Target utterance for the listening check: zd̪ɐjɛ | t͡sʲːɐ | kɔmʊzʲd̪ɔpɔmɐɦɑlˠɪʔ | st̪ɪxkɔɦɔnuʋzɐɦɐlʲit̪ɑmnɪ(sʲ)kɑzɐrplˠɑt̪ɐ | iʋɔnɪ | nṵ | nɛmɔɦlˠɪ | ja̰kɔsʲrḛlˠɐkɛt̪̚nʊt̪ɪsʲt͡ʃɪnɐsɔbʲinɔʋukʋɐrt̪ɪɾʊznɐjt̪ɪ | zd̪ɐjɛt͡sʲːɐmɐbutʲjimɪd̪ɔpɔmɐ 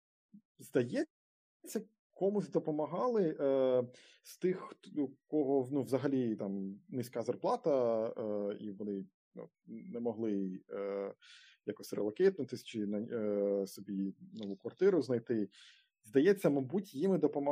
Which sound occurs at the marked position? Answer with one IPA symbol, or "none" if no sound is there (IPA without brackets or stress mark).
sʲ